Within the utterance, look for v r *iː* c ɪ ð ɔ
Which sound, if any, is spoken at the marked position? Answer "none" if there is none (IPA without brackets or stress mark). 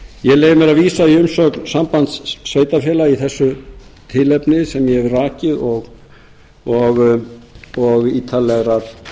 aː